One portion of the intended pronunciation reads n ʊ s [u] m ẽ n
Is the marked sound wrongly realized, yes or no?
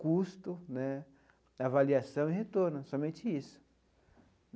yes